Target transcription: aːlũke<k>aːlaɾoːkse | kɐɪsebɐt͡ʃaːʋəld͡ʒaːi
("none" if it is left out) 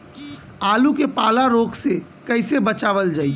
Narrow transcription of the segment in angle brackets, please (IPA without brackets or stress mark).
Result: p